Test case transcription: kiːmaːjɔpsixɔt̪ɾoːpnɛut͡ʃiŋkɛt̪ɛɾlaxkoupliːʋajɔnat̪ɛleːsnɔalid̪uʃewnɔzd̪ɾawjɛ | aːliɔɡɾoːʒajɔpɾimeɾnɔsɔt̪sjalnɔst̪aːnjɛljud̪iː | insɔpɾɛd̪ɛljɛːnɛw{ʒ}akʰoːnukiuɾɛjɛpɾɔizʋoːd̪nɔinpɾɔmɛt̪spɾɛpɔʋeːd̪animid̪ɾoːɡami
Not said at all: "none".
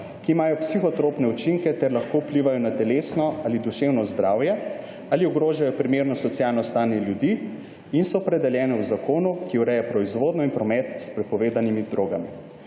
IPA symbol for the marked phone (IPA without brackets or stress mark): z